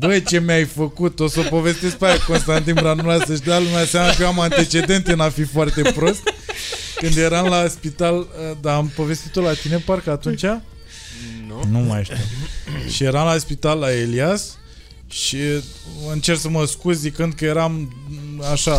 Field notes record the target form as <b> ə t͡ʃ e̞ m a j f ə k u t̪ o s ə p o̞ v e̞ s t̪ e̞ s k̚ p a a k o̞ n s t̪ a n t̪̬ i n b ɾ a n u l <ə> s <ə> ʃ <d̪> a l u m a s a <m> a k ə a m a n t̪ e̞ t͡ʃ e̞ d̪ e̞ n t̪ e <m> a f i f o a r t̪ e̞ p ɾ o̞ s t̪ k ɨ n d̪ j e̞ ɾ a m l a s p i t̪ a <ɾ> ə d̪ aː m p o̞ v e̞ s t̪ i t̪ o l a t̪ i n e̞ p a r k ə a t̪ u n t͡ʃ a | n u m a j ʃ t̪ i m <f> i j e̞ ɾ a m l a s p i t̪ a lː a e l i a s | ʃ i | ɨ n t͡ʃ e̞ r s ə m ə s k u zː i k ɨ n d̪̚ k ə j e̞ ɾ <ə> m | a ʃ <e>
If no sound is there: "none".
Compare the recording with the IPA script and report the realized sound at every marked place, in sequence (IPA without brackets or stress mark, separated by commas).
b, a, ə, d̪, m, n, l, ʃ, a, a